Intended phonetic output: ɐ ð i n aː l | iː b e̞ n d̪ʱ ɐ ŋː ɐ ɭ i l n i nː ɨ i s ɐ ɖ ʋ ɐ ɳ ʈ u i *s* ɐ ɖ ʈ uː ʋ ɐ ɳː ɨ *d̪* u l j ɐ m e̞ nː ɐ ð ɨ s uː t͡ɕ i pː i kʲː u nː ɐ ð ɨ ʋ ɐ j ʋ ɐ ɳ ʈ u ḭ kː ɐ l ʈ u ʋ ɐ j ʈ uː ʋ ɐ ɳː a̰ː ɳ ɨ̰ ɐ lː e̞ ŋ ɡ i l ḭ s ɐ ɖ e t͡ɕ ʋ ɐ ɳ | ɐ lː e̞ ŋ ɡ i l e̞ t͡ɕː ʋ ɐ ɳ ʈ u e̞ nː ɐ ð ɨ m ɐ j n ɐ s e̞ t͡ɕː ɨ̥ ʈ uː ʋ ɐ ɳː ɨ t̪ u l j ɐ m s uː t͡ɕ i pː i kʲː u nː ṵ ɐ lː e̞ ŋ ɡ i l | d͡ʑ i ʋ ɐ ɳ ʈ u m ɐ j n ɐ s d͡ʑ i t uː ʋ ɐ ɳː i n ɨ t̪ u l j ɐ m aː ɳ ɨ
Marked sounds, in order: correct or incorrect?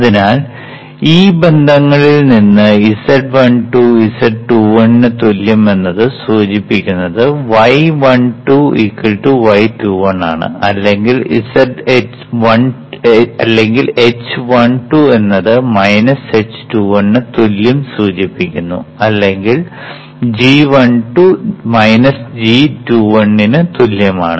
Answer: correct, incorrect

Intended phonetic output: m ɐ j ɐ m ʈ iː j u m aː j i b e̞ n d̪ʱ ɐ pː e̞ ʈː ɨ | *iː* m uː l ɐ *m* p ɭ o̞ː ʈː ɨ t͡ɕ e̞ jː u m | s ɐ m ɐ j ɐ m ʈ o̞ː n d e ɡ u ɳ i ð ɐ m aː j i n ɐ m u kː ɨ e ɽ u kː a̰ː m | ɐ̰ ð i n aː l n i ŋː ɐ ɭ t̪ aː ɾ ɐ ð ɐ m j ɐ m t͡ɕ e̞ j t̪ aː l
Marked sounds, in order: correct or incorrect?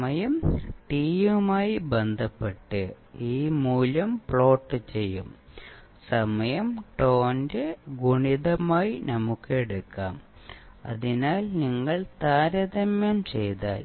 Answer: correct, correct

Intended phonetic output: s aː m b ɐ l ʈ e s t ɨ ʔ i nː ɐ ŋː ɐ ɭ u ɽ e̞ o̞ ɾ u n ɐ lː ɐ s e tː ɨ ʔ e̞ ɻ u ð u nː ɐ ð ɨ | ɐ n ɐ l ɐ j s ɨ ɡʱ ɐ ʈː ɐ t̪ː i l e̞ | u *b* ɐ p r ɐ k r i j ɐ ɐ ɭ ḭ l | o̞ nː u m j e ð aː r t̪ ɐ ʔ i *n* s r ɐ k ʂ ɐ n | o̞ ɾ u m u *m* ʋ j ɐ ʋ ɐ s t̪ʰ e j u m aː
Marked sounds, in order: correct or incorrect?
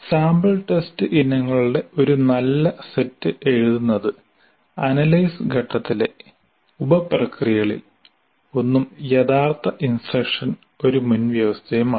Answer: correct, correct, incorrect

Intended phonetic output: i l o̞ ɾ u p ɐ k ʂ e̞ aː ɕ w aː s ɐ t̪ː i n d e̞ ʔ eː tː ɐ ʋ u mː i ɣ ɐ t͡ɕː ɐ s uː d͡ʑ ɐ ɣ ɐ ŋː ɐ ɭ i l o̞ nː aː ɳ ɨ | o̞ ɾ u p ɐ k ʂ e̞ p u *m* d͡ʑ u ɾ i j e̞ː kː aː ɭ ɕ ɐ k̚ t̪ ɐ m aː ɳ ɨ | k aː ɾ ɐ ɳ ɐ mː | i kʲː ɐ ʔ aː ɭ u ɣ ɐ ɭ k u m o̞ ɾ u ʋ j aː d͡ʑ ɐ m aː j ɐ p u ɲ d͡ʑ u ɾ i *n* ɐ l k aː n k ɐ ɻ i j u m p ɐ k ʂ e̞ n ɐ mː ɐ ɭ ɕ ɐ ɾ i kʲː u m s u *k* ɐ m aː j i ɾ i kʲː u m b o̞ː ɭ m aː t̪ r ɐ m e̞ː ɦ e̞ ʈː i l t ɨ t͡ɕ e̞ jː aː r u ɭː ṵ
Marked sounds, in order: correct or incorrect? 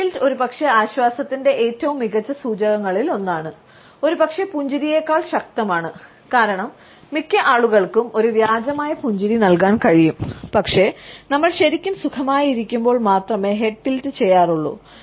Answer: incorrect, correct, incorrect

